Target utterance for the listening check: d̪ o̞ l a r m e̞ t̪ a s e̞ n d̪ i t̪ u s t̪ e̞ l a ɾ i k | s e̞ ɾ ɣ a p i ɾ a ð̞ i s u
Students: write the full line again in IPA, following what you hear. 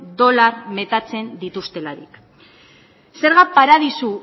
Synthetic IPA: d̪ o̞ l a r m e̞ t̪ a t͡s e̞ n d̪ i t̪ u s t̪ e̞ l a ɾ i k | s e̞ ɾ ɣ a p a ɾ a ð̞ i s u